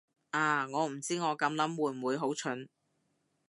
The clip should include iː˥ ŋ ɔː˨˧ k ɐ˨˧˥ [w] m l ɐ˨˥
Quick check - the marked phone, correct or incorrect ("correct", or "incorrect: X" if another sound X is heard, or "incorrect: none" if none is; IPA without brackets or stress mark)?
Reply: incorrect: none